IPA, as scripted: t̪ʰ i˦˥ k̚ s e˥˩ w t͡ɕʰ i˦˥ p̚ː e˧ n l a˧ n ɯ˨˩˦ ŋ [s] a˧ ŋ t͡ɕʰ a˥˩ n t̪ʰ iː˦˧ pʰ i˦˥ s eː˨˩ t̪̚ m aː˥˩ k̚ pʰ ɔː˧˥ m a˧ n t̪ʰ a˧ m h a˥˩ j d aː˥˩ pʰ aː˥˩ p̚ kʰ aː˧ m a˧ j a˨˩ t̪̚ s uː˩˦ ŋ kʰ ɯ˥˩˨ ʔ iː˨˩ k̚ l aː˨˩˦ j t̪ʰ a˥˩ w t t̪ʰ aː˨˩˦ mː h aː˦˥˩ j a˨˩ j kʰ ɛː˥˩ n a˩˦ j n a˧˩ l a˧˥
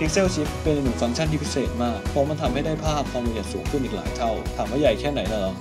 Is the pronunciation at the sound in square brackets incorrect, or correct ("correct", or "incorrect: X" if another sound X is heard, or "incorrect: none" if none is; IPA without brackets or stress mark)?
incorrect: f